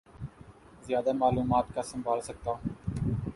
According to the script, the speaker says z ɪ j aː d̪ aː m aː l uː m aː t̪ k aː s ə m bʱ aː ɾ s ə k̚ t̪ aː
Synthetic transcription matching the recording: z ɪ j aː d̪ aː m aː l uː m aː t̪ k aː s ə m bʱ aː l s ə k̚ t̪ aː